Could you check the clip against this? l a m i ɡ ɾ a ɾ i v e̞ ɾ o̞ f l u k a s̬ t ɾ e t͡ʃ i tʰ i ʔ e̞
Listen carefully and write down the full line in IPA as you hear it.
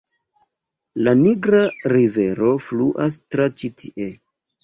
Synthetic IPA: l a n i ɡ ɾ a ɾ i v e̞ ɾ o̞ f l u ʔ a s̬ t ɾ a t͡ʃ i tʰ i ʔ e̞